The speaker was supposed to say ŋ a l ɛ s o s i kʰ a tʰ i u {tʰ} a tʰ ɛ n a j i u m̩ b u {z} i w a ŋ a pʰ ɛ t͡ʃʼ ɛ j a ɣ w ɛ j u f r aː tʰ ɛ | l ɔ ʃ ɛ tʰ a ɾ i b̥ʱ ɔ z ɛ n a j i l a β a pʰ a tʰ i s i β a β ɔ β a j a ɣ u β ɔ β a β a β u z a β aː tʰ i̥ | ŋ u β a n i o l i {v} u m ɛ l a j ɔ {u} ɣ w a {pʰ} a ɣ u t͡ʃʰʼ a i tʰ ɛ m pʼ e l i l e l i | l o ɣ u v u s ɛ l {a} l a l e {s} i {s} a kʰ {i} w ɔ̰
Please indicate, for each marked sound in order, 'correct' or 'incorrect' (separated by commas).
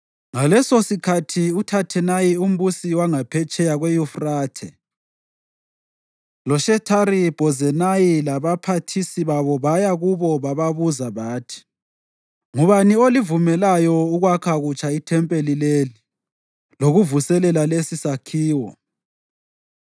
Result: correct, incorrect, correct, correct, incorrect, incorrect, correct, correct, incorrect